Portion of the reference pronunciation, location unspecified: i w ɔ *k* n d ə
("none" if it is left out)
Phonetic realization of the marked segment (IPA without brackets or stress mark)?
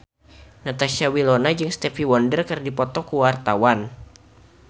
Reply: none